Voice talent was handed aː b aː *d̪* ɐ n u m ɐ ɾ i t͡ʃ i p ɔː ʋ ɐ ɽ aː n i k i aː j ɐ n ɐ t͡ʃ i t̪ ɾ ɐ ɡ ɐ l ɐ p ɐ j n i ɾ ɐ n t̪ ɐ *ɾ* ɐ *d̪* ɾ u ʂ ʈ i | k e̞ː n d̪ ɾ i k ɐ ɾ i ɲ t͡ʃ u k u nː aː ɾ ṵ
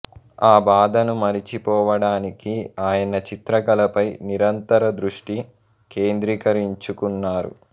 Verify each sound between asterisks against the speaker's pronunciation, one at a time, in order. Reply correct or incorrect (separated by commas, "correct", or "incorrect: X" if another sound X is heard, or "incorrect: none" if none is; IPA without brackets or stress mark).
correct, correct, correct